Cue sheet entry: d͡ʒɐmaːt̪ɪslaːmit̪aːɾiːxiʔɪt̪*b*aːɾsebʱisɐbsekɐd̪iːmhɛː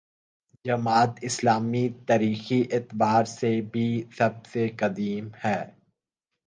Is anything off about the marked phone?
no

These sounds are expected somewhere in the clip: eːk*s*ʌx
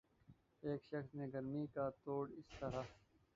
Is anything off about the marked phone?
yes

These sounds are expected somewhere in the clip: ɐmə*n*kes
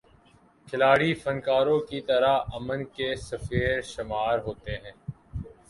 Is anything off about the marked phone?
no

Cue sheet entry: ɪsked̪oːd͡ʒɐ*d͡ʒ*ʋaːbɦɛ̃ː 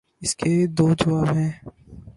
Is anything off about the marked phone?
yes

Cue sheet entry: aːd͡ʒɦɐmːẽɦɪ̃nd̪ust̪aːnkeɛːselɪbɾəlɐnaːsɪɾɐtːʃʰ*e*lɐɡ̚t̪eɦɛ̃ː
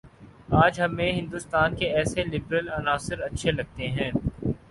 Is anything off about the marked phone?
no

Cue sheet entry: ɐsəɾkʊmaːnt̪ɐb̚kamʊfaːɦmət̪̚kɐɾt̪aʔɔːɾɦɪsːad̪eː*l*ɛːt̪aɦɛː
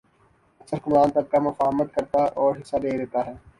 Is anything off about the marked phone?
yes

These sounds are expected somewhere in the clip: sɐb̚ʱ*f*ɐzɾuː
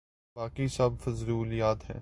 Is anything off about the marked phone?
no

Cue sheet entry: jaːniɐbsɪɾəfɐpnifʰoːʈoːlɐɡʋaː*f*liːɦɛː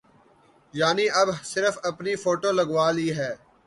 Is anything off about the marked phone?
yes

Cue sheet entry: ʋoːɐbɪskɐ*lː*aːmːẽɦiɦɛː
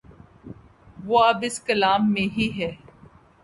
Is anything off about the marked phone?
yes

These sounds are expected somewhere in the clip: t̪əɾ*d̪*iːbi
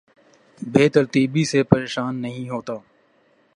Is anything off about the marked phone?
yes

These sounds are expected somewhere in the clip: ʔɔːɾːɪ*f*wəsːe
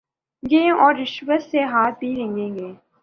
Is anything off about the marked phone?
yes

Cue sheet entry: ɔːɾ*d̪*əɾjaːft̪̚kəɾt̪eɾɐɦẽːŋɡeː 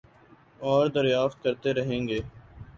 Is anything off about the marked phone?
no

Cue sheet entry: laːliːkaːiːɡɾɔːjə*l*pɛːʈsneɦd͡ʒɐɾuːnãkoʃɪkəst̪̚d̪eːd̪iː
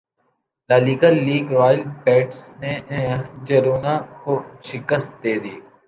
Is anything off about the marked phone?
no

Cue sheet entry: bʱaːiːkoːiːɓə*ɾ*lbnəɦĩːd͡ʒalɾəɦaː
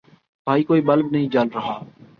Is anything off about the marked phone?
yes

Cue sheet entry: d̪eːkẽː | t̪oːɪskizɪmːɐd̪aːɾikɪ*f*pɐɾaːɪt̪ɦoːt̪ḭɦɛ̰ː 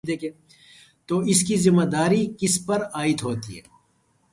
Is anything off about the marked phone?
yes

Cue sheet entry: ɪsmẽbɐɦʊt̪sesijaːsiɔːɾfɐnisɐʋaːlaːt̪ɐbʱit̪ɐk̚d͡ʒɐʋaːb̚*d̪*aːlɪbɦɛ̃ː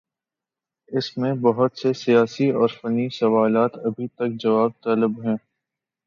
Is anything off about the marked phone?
yes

